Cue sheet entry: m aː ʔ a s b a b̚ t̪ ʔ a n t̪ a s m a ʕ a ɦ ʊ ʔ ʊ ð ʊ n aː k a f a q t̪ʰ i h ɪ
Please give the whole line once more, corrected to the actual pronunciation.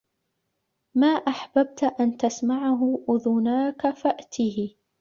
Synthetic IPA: m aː ʔ a ħ b a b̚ t̪ ʔ a n t̪ a s m a ʕ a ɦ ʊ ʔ ʊ ð ʊ n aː k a f a ʔ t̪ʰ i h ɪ